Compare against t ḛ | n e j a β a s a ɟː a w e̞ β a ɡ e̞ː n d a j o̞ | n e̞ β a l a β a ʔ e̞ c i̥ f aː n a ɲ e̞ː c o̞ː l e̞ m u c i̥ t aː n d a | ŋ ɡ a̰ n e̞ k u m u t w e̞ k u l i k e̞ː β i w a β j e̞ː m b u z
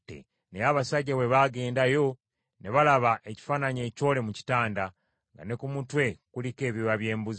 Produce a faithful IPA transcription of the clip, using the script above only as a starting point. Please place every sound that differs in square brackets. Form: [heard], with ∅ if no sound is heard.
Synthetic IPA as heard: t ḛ | n e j a β a s a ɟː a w e̞ β a ɡ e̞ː n d a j o̞ | n e̞ β a l a β a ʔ e̞ c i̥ f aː n a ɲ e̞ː c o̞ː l e̞ m u c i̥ t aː n d a | ŋ ɡ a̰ n e̞ k u m u t w e̞ k u l i k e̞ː β i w a β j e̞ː m b u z